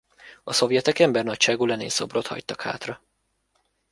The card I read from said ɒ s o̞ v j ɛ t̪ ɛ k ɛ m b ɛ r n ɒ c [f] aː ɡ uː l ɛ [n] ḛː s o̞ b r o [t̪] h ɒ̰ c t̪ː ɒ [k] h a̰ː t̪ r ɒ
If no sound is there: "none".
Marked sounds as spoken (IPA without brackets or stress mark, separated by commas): ʃ, n, t̪, k